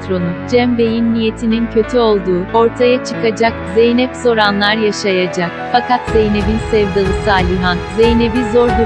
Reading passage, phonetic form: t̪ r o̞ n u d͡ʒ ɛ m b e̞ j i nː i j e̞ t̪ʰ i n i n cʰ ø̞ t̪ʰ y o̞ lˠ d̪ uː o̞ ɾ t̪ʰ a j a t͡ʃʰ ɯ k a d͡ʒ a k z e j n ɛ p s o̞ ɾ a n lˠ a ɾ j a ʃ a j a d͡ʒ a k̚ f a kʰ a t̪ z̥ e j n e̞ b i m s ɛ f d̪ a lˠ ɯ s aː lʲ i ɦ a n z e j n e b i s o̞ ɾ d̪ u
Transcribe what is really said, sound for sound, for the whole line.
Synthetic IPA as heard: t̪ ɾ o̞ n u d͡ʒ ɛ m b e̞ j i nː i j e̞ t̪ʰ i n i n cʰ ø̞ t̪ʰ y o̞ lˠ d̪ uː o̞ ɾ t̪ʰ a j a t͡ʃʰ ɯ k a d͡ʒ a k z e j n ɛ p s o̞ ɾ a n lˠ a ɾ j a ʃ a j a d͡ʒ a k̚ f a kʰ a t̪ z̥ e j n e̞ b i n s ɛ v d̪ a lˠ ɯ s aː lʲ i ɦ a n z e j n e b i z o̞ ɾ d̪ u